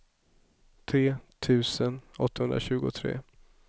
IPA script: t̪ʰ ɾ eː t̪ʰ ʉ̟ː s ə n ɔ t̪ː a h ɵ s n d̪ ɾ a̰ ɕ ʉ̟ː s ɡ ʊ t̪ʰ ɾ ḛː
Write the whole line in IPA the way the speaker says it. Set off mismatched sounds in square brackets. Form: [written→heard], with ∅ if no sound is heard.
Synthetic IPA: t̪ʰ ɾ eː t̪ʰ ʉ̟ː s ə n ɔ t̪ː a h ɵ [s→∅] n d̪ ɾ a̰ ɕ ʉ̟ː [s→∅] ɡ ʊ t̪ʰ ɾ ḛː